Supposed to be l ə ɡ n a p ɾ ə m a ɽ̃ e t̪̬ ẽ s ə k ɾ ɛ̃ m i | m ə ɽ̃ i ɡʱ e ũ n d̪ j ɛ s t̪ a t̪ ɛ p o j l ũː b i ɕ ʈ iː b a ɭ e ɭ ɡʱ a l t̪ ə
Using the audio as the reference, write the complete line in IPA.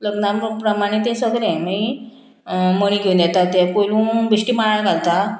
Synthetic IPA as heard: l ə ɡ n a p ɾ ə m a ɽ̃ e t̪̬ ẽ s ə ɡ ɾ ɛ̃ m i | m ə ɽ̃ i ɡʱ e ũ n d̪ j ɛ t̪ a t̪ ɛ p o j l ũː b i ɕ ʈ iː m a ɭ a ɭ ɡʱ a l t̪ a